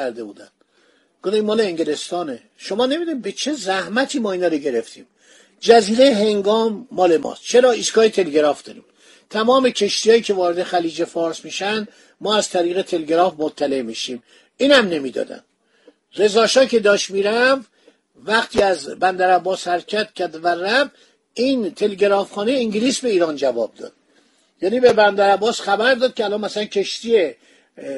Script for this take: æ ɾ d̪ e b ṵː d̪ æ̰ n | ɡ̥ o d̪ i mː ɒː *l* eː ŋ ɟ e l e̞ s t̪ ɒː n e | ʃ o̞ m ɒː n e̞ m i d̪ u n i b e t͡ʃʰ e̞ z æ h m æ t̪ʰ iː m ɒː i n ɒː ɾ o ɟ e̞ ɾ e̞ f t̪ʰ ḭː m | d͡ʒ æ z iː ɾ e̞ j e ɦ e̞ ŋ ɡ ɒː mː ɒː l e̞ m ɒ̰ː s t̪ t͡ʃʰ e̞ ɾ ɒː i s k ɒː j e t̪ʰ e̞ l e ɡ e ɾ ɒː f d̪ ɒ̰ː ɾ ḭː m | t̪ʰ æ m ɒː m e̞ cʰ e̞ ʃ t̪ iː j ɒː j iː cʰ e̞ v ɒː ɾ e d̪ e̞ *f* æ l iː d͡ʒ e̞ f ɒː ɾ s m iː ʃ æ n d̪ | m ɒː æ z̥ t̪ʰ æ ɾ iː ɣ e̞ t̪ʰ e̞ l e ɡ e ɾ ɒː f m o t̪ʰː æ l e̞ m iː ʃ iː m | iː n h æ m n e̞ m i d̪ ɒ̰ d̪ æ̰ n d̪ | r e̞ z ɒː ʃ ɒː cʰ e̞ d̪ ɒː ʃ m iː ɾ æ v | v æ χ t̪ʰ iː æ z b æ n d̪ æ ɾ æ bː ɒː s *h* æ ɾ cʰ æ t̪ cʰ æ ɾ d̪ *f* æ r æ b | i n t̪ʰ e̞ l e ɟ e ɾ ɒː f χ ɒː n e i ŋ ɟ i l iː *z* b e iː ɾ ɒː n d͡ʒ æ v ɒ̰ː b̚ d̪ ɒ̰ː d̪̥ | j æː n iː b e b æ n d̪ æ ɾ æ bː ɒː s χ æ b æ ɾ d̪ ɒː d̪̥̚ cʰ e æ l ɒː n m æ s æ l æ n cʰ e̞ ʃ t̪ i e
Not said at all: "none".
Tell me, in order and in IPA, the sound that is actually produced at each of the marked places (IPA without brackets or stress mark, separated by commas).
l, x, h, v, s